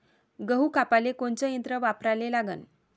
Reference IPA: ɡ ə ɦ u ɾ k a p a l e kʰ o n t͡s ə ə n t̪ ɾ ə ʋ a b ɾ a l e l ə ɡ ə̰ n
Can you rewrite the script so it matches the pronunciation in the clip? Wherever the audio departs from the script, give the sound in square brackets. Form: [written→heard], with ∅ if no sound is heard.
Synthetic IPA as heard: ɡ ə ɦ u [ɾ→∅] k a p a l e [kʰ→k] o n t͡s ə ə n t̪ ɾ ə ʋ a [b→p] ɾ a l e l [ə→a] ɡ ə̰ n